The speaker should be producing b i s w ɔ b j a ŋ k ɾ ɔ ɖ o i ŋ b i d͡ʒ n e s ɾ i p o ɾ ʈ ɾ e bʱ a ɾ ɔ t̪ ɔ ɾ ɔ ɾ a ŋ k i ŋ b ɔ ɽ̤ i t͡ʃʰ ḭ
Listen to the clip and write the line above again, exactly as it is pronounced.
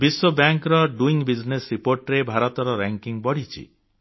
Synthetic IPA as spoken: b i s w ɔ b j a ŋ k ɾ ɔ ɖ u i ŋ b i d͡ʒ n e s ɾ i p o ɾ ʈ ɾ e bʱ a ɾ ɔ t̪ ɔ ɾ ɔ ɾ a ŋ k i ŋ b ɔ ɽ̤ i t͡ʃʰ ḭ

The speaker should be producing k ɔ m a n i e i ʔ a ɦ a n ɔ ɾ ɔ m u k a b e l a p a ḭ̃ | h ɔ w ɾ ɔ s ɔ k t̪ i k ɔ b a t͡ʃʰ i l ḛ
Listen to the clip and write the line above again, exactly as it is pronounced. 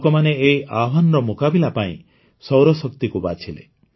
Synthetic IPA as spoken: k ɔ m a n e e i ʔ a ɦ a n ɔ ɾ ɔ m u k a b i l a p a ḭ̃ | s ɔ w ɾ ɔ s ɔ k t̪ i k u b a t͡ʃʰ i l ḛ

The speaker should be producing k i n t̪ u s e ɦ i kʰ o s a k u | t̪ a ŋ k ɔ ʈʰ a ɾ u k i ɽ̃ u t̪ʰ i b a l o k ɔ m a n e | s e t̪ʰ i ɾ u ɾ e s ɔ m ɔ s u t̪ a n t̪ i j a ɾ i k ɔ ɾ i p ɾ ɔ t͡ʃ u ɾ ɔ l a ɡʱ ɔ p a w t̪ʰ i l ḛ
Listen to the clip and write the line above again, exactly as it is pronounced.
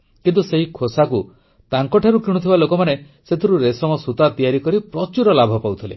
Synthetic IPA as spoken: k i n t̪ u s e ɦ i kʰ o s a k u | t̪ a ŋ k ɔ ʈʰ a ɾ u k i ɽ̃ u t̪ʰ i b a l o k ɔ m a n e | s e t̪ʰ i ɾ u ɾ e s ɔ m ɔ s u t̪ a t̪ i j a ɾ i k ɔ ɾ i p ɾ ɔ t͡ʃ u ɾ ɔ l a bʱ ɔ p a w t̪ʰ i l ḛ

